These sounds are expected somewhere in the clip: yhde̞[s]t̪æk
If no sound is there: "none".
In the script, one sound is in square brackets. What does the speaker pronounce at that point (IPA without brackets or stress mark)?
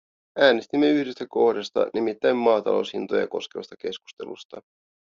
s